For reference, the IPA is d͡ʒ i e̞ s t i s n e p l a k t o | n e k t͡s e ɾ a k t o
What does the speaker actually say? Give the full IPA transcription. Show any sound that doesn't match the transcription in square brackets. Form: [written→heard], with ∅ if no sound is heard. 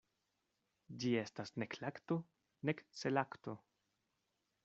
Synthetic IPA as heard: d͡ʒ i e̞ s t [i→a] s n e [p→k] l a k t o | n e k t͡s e [ɾ→l] a k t o